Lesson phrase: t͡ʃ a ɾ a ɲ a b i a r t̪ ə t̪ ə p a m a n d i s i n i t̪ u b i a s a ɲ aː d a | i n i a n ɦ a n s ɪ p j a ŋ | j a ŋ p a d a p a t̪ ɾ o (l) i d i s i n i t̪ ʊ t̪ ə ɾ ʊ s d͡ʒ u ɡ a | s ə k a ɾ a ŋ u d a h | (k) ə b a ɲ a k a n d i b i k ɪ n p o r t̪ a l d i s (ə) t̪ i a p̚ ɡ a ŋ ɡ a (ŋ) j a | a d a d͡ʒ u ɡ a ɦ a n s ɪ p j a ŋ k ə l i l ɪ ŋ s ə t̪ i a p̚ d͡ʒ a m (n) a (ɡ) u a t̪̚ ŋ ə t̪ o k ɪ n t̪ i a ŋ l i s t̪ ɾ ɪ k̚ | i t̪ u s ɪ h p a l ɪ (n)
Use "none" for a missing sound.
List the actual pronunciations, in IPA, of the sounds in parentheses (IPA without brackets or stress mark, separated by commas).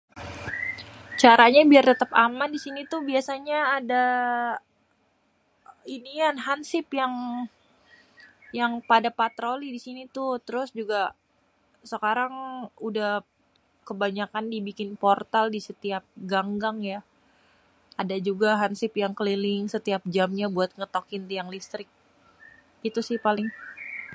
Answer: l, k, ə, ŋ, ɲ, b, ŋ